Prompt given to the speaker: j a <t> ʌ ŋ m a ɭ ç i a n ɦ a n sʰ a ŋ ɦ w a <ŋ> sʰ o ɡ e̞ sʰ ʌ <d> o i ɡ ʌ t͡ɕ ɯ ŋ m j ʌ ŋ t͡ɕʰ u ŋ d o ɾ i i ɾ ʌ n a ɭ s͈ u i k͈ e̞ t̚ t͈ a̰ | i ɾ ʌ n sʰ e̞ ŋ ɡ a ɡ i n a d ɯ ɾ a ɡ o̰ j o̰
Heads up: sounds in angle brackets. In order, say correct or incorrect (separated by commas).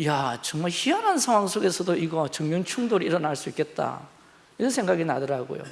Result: incorrect, correct, correct